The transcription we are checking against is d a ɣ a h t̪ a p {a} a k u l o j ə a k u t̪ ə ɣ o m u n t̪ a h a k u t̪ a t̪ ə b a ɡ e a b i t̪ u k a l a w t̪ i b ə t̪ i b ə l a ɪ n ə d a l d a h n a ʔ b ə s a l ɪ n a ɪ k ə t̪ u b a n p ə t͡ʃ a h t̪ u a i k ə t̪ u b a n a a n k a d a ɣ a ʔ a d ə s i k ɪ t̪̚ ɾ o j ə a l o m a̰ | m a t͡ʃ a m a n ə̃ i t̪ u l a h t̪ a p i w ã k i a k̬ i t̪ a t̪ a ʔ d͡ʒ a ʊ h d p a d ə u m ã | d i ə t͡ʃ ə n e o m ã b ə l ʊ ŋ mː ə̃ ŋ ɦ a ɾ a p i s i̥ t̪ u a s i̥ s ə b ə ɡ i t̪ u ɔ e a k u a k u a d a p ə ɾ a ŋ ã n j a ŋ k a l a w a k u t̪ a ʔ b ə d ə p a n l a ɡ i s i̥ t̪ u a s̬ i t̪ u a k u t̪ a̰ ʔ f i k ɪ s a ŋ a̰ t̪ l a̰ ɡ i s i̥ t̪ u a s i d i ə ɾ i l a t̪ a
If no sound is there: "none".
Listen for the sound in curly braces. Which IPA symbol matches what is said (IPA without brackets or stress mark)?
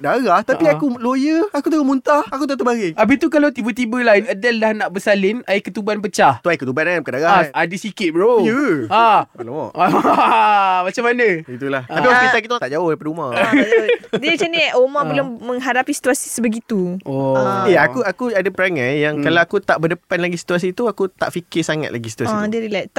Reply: i